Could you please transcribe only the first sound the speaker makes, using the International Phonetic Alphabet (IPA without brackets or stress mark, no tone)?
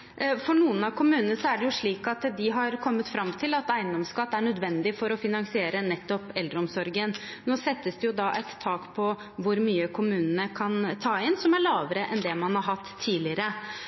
f